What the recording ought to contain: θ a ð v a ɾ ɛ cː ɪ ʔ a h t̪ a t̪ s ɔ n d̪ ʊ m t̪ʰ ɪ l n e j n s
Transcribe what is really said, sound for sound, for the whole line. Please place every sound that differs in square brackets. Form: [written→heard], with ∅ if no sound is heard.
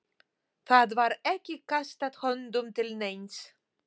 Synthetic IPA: θ a ð v a ɾ ɛ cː ɪ [ʔ→k] a [h→s] t̪ a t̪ [s→h] ɔ n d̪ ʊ m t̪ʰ ɪ l n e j n s